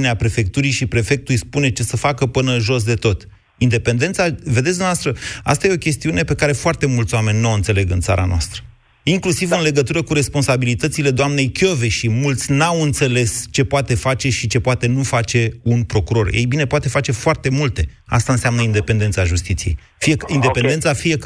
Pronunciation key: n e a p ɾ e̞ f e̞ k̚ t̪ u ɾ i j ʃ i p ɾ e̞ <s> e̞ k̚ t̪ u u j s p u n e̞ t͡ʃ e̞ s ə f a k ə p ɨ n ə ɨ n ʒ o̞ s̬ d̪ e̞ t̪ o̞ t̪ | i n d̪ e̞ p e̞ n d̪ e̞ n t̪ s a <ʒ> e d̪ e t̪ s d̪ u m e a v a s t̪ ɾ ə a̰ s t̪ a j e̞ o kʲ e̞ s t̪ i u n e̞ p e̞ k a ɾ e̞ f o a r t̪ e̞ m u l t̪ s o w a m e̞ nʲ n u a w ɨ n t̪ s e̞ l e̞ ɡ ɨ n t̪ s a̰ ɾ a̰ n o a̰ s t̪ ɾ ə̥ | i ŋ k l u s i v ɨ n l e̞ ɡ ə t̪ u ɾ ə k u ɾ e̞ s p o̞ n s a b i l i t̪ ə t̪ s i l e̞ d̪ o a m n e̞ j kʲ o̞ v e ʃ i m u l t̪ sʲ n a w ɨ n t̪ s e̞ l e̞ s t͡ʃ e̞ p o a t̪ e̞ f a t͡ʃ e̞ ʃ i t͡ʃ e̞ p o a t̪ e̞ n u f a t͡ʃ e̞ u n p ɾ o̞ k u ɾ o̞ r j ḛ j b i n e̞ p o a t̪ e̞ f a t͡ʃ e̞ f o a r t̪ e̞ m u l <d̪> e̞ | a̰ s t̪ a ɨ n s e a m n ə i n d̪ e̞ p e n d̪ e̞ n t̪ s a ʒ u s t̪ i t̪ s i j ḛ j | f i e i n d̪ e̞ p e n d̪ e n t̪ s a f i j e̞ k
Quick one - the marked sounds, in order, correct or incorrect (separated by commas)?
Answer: incorrect, incorrect, incorrect